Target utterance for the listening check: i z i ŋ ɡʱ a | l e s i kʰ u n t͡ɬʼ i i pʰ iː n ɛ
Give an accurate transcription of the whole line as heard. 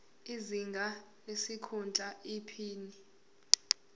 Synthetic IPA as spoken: i z i ŋ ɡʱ a | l e s i kʰ u n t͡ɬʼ a i pʰ iː n i